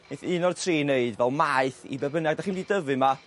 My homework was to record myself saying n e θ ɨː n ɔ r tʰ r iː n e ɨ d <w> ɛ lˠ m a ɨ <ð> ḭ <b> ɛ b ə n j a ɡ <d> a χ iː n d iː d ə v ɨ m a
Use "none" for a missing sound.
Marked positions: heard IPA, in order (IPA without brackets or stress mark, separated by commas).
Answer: v, θ, b, d